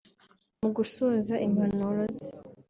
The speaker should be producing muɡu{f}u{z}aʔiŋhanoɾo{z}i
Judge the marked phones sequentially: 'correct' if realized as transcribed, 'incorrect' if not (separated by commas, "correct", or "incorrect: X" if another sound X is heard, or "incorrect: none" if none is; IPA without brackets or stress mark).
incorrect: s, correct, correct